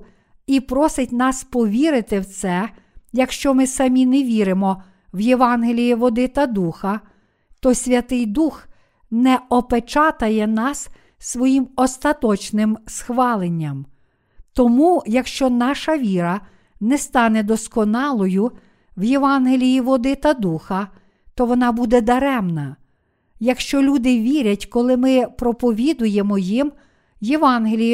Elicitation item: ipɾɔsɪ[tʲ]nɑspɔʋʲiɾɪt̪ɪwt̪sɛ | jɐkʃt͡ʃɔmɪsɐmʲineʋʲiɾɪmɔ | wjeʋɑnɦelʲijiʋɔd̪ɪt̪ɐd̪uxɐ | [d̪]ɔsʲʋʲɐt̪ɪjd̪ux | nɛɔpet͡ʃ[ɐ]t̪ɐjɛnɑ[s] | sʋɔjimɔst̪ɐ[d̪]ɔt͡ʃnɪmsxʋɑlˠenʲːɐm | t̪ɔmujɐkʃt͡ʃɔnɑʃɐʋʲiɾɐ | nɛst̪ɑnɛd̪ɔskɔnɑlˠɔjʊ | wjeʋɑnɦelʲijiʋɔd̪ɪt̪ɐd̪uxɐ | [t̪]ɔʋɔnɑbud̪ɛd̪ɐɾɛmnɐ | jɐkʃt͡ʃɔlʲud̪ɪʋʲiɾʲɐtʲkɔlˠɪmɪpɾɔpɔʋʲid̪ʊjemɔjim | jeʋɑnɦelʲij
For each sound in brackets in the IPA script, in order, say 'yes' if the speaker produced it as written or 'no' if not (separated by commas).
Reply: yes, no, no, yes, no, yes